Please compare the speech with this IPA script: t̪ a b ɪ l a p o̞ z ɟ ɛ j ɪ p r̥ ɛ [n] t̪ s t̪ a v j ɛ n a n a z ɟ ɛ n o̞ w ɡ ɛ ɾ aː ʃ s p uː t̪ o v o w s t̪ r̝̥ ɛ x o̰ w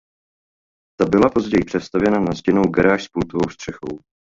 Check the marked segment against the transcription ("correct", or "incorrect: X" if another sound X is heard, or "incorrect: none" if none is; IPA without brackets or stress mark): incorrect: none